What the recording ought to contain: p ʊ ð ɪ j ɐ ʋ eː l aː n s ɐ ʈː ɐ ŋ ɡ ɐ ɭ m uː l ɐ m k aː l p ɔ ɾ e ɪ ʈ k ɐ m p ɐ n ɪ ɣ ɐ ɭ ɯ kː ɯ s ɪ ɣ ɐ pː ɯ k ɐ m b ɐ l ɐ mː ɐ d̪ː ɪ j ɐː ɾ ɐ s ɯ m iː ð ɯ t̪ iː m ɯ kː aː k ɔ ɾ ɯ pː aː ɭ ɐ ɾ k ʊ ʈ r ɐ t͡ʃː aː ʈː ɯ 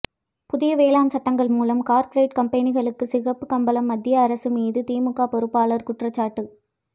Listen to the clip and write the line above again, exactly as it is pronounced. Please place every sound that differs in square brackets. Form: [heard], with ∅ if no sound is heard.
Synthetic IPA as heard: p ʊ ð ɪ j ɐ ʋ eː l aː n s ɐ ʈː ɐ ŋ ɡ ɐ ɭ m uː l ɐ m k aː [ɾ] p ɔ ɾ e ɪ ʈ k ɐ m p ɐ n ɪ ɣ ɐ ɭ ɯ kː ɯ s ɪ ɣ ɐ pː ɯ k ɐ m b ɐ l ɐ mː ɐ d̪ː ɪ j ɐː ɾ ɐ s ɯ m iː ð ɯ t̪ iː m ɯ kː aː [p] ɔ ɾ ɯ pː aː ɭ ɐ ɾ k ʊ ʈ r ɐ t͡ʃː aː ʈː ɯ

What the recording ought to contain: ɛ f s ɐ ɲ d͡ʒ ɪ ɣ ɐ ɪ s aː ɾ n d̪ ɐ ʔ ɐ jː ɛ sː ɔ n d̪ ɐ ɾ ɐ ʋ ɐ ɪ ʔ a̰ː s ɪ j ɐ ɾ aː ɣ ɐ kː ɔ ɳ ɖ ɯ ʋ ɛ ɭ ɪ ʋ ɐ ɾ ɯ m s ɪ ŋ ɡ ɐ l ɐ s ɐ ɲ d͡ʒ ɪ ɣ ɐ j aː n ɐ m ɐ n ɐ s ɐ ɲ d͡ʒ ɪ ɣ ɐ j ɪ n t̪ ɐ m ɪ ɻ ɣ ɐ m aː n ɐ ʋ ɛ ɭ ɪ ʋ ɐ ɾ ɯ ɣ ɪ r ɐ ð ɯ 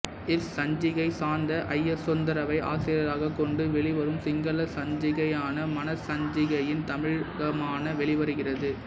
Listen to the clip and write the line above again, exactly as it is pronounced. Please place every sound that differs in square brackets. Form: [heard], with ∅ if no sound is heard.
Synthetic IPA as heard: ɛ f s ɐ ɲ d͡ʒ ɪ ɣ ɐ ɪ s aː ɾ n d̪ ɐ ʔ ɐ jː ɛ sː ɔ n d̪ ɐ ɾ ɐ ʋ ɐ ɪ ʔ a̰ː s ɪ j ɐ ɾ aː ɣ ɐ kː ɔ ɳ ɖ ɯ ʋ ɛ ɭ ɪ ʋ ɐ ɾ ɯ m s ɪ ŋ ɡ ɐ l ɐ s ɐ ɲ d͡ʒ ɪ ɣ ɐ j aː n ɐ m ɐ n ɐ s ɐ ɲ d͡ʒ ɪ ɣ ɐ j ɪ n t̪ ɐ m ɪ ɻ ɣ ɐ m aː n ɐ ʋ ɛ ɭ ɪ ʋ ɐ ɾ ɯ ɣ ɪ r ɐ ð ɯ

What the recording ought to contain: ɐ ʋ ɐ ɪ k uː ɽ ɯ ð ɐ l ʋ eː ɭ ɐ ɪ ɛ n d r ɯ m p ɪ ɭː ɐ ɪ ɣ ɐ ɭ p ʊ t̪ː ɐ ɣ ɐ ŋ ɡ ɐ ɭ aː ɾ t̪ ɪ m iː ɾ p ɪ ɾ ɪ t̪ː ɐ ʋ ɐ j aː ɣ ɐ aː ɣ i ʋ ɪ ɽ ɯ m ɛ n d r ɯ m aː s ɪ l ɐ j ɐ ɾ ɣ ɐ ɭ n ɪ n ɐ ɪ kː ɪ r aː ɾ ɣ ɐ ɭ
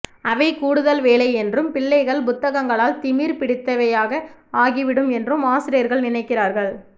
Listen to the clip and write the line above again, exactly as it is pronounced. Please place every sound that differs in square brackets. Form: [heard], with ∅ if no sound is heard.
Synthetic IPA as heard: ɐ ʋ ɐ ɪ k uː ɽ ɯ ð ɐ l ʋ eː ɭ ɐ ɪ ɛ n d r ɯ m p ɪ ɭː ɐ ɪ ɣ ɐ ɭ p ʊ t̪ː ɐ ɣ ɐ ŋ ɡ ɐ ɭ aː [l] t̪ ɪ m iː ɾ p ɪ [ɽ] ɪ t̪ː ɐ ʋ ɐ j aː ɣ ɐ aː ɣ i ʋ ɪ ɽ ɯ m ɛ n d r ɯ m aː s ɪ [ɾ] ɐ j ɐ ɾ ɣ ɐ ɭ n ɪ n ɐ ɪ kː ɪ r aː ɾ ɣ ɐ ɭ

